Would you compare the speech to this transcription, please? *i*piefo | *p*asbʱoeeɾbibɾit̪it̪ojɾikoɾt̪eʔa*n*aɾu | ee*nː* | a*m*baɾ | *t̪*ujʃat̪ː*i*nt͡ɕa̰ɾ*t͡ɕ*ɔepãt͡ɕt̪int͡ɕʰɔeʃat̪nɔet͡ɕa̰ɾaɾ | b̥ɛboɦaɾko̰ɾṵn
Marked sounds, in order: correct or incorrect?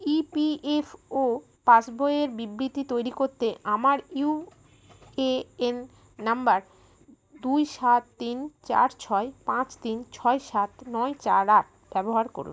correct, correct, incorrect: m, correct, correct, incorrect: d̪, correct, incorrect: t͡ɕʰ

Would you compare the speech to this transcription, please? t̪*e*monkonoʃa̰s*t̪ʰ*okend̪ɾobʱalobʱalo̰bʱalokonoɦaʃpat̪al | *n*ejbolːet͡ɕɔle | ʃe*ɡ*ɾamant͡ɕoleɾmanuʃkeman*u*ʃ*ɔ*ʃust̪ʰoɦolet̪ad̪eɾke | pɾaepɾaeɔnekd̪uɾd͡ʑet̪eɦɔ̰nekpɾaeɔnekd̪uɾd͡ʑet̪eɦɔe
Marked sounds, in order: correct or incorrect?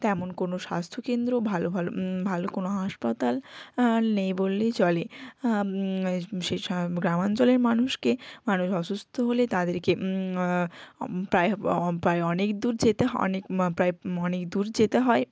incorrect: ɛ, correct, correct, correct, correct, correct

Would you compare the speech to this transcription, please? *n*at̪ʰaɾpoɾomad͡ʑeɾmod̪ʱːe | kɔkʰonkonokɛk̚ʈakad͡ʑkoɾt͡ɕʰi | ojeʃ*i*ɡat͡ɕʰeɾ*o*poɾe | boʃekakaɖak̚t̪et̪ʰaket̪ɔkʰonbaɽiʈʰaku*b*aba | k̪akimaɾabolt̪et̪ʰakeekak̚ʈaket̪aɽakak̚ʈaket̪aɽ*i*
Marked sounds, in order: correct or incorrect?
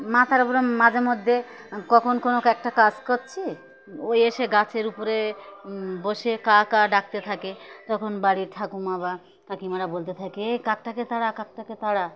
incorrect: m, incorrect: e, incorrect: u, incorrect: m, incorrect: a

